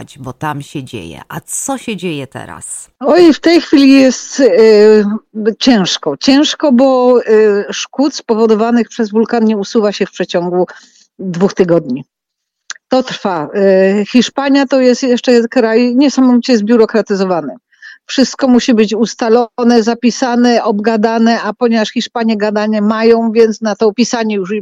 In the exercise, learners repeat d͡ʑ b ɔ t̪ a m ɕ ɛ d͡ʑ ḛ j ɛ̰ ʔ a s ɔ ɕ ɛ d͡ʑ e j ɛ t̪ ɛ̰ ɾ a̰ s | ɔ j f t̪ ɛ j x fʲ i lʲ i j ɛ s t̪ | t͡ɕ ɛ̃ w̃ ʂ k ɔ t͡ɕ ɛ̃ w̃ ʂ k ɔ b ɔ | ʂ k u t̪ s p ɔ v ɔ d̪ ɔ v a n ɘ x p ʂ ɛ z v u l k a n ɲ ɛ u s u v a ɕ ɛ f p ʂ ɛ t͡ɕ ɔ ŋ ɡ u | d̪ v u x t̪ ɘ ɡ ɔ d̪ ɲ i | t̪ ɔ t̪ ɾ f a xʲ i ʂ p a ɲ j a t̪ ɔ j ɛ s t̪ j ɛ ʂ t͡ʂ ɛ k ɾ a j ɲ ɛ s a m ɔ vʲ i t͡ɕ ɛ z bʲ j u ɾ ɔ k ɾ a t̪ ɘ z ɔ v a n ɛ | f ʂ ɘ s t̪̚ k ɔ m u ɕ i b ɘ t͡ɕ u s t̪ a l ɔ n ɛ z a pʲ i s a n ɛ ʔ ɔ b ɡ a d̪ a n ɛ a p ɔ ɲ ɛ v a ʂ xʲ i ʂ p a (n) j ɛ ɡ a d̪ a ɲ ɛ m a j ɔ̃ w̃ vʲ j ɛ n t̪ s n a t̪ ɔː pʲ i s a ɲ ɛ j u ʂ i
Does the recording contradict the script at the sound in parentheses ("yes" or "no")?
yes